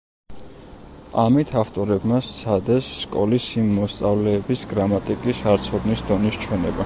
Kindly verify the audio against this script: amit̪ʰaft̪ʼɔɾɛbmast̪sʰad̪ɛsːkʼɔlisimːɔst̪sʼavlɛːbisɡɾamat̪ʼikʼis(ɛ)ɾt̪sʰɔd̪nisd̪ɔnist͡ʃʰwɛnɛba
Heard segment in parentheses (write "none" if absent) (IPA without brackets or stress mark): a